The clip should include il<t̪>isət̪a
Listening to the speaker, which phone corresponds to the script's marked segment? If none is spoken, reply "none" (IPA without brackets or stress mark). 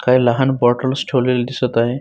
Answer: d̪